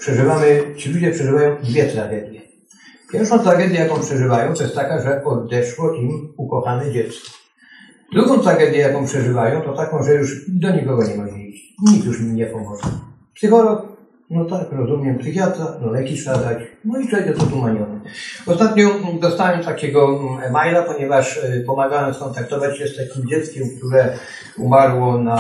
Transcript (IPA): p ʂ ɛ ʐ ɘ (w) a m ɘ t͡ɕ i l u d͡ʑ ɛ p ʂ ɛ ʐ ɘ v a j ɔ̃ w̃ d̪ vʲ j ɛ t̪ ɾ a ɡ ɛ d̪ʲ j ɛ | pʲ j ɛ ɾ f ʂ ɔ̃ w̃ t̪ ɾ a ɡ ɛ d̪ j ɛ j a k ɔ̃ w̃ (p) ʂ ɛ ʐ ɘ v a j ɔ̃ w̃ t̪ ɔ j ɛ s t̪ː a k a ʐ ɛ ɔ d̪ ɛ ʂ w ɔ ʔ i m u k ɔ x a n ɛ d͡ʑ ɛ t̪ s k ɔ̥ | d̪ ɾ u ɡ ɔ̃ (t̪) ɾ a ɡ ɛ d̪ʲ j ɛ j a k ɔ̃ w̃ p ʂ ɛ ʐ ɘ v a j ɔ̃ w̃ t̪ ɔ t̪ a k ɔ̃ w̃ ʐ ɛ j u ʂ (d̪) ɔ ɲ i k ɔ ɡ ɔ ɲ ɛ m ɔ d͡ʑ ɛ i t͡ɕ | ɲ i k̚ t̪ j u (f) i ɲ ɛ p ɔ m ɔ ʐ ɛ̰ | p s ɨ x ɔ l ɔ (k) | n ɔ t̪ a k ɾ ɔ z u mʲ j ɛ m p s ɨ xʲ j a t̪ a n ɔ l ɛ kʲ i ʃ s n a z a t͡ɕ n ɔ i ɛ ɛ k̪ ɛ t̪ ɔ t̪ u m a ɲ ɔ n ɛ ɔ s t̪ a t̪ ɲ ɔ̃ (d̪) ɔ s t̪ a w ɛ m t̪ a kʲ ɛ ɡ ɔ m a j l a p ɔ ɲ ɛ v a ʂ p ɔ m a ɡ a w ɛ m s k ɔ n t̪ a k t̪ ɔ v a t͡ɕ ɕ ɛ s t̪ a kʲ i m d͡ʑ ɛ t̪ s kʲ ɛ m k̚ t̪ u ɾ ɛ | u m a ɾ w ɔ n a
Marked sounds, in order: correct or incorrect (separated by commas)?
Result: incorrect, correct, correct, correct, incorrect, correct, correct